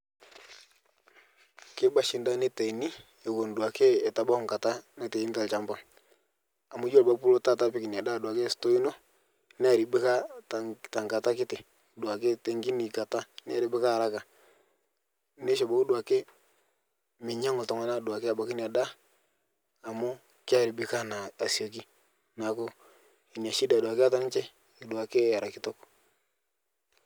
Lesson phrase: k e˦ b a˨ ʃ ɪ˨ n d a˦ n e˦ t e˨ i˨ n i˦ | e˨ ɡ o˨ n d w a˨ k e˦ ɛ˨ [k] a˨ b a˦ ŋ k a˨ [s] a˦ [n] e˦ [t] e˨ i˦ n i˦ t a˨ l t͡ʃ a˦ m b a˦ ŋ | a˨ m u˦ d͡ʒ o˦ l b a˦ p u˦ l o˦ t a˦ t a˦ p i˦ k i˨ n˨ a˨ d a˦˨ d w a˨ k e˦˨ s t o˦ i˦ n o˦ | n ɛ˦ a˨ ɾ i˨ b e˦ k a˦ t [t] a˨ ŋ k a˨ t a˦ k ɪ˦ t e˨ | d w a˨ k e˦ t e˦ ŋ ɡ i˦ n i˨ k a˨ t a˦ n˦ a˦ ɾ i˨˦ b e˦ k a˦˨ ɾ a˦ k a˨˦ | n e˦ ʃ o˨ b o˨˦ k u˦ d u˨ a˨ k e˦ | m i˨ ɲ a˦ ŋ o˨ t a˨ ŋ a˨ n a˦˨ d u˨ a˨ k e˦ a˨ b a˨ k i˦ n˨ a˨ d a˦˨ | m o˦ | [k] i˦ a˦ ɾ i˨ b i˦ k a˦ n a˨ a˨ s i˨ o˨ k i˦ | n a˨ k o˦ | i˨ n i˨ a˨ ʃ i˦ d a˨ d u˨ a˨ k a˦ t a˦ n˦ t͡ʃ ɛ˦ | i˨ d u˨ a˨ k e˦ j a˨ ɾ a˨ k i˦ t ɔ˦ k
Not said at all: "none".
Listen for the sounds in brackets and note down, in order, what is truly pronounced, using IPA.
t, t, n, t, t, k

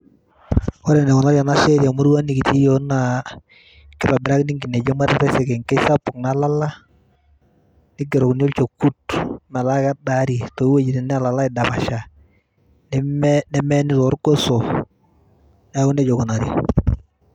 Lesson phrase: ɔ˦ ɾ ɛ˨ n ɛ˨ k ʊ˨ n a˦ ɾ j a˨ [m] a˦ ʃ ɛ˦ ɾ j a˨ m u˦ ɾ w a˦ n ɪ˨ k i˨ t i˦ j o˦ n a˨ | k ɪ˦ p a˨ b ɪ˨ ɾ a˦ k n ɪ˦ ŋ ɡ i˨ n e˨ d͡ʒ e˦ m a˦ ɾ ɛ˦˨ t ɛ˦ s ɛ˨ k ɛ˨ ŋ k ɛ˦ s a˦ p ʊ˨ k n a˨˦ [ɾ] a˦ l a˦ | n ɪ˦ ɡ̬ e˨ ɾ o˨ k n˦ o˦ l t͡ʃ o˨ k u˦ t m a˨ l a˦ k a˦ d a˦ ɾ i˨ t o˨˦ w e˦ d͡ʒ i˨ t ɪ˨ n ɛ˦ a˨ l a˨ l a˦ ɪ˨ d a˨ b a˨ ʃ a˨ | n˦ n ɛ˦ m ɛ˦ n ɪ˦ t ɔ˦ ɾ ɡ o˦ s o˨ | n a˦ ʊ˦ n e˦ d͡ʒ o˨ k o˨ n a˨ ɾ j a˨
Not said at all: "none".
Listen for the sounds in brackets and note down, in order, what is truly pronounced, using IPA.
n, l

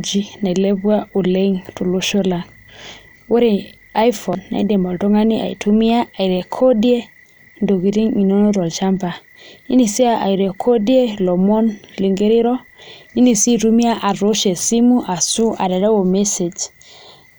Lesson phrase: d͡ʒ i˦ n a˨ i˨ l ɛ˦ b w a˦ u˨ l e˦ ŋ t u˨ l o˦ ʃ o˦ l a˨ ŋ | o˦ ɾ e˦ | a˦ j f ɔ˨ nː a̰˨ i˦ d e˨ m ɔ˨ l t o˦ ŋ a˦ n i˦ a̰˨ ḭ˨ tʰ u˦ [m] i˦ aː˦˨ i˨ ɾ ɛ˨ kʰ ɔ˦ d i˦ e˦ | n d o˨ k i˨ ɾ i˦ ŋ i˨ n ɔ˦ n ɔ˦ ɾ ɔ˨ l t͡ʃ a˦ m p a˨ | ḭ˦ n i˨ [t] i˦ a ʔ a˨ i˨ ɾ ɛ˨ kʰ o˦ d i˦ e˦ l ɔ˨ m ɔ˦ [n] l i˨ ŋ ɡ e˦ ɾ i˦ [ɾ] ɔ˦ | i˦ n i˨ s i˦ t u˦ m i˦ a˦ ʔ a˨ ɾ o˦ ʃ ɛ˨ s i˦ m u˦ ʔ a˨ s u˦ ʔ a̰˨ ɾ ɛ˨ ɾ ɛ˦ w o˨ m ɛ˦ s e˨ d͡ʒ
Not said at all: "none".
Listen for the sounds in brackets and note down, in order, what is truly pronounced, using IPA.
m, s, n, ɾ

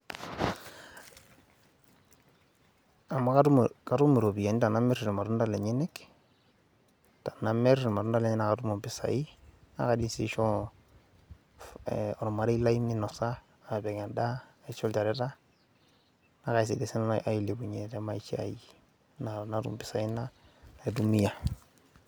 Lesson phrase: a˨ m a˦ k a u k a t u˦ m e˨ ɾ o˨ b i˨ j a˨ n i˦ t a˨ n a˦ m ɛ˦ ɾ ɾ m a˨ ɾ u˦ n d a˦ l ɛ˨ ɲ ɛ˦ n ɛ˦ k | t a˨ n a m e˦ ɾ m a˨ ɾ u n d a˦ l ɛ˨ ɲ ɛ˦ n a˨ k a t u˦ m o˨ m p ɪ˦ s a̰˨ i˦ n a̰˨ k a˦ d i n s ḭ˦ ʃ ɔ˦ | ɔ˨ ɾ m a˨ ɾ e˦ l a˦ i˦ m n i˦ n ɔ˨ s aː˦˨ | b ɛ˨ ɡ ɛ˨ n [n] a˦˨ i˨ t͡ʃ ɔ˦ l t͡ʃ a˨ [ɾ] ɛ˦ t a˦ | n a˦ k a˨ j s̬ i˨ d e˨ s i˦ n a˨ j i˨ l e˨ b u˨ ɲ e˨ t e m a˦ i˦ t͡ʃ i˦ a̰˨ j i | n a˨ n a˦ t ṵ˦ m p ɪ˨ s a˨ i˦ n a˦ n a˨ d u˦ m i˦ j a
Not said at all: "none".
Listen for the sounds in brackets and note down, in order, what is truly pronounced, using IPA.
d, ɾ

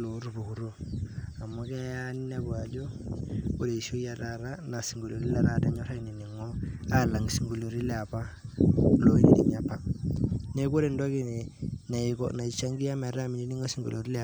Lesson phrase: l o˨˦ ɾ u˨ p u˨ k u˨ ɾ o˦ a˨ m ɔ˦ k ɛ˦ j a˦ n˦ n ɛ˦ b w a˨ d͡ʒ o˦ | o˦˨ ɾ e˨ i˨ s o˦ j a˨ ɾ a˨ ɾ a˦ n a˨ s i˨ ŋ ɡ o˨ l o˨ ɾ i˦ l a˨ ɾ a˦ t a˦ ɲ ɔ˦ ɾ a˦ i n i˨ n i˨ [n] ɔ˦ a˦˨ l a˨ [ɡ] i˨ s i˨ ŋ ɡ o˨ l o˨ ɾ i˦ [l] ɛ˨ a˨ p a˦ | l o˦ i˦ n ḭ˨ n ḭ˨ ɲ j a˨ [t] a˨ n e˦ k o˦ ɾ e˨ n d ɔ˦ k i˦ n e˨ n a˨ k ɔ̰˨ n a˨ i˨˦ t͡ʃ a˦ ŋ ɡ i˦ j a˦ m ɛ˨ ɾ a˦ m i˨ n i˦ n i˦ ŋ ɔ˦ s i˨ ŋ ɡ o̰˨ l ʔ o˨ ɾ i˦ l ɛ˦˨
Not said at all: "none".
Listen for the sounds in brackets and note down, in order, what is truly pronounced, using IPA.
ŋ, ŋ, l, p

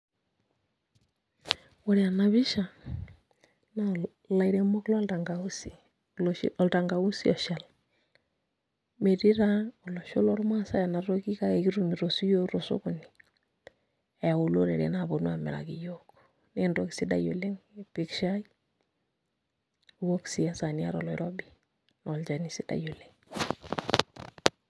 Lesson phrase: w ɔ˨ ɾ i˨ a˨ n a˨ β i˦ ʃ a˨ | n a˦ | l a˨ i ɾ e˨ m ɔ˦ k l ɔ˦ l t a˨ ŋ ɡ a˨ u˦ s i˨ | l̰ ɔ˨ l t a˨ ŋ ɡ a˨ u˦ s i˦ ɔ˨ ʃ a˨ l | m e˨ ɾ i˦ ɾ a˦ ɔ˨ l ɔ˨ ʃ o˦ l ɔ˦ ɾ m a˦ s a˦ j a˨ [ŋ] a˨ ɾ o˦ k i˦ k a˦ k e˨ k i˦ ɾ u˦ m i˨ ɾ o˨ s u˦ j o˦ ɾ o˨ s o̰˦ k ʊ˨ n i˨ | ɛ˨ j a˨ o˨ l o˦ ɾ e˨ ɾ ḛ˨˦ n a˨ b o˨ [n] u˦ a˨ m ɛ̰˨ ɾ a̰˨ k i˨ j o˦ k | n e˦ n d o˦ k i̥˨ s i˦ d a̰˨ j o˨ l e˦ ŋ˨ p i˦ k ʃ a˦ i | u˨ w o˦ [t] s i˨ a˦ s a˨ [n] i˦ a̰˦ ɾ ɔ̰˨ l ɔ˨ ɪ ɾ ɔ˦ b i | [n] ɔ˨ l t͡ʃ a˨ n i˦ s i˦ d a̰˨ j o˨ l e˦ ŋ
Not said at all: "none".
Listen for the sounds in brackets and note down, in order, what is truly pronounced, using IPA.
n, n, k, n, n

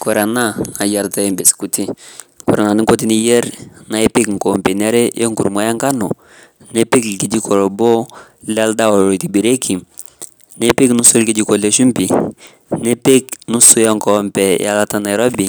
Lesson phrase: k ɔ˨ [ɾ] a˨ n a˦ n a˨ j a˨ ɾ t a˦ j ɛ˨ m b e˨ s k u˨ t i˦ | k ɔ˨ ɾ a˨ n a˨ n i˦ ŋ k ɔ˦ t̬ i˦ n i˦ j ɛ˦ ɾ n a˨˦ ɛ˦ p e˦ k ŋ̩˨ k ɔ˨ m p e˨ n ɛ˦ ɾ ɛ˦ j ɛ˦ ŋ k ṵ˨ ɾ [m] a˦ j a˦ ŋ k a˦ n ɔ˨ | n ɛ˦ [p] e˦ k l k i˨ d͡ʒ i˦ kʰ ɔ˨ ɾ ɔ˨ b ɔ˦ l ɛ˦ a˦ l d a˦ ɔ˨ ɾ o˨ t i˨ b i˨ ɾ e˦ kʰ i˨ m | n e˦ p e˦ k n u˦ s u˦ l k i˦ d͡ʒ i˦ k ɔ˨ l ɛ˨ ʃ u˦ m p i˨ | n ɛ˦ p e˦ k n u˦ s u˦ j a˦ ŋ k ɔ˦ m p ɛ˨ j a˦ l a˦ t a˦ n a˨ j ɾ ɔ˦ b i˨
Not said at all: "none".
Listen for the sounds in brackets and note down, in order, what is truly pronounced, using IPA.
ɾ, m, p

